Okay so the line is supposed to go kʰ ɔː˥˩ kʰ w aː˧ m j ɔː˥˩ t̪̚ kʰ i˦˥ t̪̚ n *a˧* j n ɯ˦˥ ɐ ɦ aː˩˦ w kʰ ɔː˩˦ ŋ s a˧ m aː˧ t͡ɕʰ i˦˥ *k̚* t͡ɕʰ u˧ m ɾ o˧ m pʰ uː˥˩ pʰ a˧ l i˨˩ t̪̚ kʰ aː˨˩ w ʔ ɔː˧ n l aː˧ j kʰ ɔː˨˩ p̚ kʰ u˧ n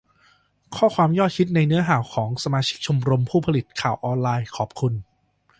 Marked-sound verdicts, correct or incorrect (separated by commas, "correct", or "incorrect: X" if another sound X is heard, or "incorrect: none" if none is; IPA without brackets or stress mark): correct, correct